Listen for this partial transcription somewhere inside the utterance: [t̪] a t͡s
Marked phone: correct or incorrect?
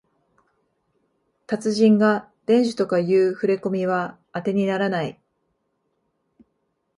correct